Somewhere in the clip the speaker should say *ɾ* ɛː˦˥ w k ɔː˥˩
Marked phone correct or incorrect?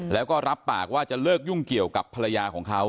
incorrect